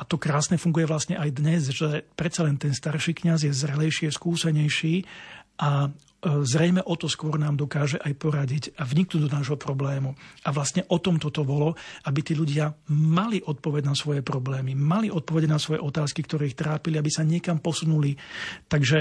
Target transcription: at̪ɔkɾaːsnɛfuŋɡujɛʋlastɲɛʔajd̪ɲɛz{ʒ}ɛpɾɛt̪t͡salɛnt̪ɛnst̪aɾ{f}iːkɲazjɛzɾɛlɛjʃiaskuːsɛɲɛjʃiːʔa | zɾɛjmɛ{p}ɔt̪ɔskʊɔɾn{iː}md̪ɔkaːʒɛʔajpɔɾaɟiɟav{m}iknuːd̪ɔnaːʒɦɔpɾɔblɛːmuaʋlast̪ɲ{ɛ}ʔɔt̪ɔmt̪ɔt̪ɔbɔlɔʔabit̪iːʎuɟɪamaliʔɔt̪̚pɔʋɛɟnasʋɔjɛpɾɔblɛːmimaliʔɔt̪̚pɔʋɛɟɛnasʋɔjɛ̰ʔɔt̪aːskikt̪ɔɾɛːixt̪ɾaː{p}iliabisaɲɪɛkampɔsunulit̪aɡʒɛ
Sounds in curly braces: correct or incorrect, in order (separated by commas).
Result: correct, incorrect, incorrect, incorrect, incorrect, correct, correct